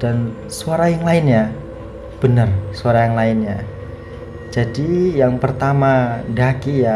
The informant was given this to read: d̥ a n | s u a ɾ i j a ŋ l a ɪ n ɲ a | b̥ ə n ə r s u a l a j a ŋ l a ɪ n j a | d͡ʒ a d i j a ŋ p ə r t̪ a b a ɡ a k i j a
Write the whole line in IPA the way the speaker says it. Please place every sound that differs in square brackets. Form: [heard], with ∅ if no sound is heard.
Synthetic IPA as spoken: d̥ a n | s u a ɾ [a] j a ŋ l a ɪ n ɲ a | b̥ ə n ə r s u a [ɾ] a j a ŋ l a ɪ n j a | d͡ʒ a d i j a ŋ p ə r t̪ a [m] a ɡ a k i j a